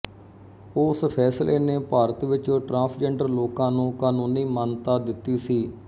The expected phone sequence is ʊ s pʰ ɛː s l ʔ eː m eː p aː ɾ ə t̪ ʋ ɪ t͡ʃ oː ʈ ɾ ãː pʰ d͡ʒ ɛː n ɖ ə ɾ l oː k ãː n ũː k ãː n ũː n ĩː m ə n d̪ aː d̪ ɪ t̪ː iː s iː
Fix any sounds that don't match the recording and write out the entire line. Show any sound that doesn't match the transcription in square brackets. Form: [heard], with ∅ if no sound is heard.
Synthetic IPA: ʊ s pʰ ɛː s l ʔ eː [n] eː p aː ɾ ə t̪ ʋ ɪ t͡ʃ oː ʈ ɾ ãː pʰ d͡ʒ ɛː [ɳ] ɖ ə ɾ l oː k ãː n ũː k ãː n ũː n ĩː m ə n [t̪] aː d̪ ɪ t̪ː iː s iː